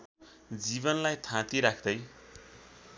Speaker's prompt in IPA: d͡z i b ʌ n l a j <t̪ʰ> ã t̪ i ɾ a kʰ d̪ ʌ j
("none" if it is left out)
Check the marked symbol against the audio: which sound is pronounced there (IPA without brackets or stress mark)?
t̪ʰ